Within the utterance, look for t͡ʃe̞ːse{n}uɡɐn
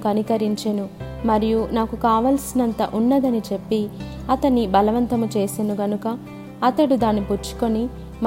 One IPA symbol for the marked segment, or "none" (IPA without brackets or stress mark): n